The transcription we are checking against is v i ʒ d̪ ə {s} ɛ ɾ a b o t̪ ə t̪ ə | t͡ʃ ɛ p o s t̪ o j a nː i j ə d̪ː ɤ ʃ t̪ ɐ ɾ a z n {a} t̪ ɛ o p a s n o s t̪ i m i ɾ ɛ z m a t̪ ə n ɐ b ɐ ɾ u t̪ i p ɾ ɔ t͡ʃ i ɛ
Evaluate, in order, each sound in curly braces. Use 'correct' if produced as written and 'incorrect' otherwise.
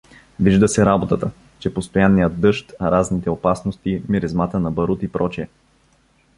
correct, incorrect: i

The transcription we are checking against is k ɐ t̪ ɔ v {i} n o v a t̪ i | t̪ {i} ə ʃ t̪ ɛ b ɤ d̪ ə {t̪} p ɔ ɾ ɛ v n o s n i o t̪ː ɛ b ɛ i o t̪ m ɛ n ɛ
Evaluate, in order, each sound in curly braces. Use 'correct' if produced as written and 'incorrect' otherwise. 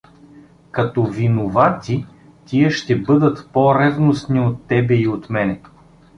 correct, correct, correct

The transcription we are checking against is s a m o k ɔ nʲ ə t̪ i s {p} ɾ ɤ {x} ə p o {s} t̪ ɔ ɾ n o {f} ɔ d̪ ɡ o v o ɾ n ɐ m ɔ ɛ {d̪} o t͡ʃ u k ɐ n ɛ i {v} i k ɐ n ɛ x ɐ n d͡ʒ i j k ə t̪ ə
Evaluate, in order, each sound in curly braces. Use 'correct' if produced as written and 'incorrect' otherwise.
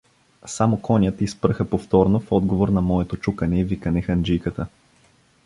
correct, correct, incorrect: f, correct, incorrect: t̪, correct

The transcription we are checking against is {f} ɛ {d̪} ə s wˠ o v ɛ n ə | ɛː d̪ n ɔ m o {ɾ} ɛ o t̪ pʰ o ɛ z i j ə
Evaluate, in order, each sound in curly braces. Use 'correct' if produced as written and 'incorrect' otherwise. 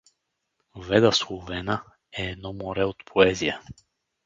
incorrect: v, correct, correct

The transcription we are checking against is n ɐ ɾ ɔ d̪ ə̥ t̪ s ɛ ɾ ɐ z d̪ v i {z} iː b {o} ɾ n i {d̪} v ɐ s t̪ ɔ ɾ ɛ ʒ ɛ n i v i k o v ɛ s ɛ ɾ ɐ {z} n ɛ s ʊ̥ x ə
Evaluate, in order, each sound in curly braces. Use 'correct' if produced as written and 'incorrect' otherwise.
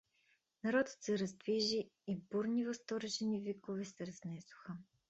incorrect: ʒ, incorrect: u, incorrect: none, correct

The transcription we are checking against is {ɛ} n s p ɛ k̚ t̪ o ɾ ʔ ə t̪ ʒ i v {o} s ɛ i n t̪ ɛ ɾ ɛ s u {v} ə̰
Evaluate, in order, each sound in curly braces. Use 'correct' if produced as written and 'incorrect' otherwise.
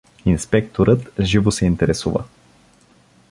incorrect: i, correct, correct

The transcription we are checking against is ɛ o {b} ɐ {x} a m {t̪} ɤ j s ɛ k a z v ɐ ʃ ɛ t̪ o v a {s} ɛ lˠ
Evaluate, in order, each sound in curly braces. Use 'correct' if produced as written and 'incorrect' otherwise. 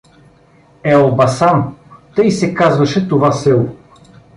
correct, incorrect: s, correct, correct

